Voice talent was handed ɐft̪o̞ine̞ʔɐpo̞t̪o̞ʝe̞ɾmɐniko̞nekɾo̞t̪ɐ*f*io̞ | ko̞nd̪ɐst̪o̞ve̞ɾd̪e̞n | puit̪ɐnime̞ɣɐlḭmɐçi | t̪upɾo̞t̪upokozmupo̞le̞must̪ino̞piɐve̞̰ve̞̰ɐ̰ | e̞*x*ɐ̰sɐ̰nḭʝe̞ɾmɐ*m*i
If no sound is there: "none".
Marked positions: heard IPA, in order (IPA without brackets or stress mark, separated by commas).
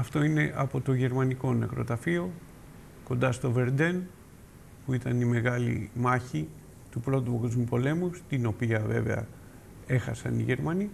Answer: f, x, n